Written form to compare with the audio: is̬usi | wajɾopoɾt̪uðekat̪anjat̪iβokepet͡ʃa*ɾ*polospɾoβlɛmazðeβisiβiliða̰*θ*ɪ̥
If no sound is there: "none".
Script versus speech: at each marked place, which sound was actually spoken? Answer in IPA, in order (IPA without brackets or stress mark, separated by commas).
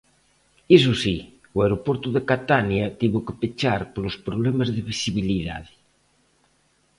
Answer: ɾ, ð